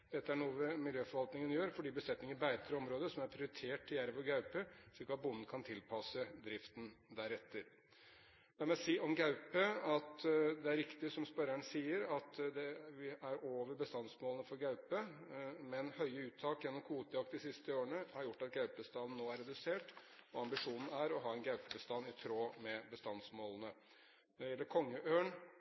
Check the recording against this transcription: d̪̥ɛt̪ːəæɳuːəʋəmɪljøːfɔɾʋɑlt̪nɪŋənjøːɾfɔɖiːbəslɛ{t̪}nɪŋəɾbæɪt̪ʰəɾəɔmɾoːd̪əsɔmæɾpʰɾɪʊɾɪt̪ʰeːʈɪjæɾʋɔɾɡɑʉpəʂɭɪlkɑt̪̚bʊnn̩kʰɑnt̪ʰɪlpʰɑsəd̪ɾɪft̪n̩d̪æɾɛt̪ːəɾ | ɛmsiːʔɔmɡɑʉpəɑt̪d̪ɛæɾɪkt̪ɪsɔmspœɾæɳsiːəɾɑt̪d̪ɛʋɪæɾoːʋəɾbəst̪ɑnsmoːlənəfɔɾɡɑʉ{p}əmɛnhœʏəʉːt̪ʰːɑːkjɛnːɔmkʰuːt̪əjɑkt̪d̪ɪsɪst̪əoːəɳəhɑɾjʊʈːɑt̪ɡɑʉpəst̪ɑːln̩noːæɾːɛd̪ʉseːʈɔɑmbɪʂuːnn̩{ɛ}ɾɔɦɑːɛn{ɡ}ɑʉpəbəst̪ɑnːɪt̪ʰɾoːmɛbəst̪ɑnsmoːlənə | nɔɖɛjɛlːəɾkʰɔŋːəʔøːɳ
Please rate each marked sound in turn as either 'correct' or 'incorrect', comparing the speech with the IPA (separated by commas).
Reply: correct, correct, incorrect, correct